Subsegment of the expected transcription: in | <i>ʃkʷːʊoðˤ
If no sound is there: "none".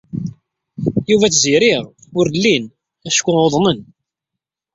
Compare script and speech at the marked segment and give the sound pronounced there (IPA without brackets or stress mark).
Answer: æ